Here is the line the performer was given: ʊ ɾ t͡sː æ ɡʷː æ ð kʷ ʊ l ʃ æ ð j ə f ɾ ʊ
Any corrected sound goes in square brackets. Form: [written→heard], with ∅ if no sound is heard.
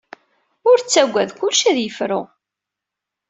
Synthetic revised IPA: ʊ ɾ t͡sː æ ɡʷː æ ð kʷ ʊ l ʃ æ ð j ə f ɾ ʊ